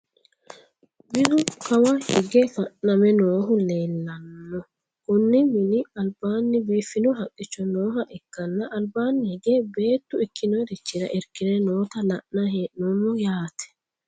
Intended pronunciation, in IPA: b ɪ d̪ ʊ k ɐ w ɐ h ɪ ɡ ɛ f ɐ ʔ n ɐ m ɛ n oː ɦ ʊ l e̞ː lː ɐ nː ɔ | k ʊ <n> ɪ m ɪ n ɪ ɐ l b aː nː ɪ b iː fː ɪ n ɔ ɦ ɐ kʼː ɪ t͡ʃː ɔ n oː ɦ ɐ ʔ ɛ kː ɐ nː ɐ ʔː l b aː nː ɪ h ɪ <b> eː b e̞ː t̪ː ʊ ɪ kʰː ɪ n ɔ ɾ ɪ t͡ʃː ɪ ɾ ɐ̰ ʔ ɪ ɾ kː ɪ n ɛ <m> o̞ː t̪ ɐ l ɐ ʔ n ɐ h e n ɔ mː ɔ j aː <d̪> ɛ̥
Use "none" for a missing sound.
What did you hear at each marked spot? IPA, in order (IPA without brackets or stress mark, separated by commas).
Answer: nː, ɡ, n, t̪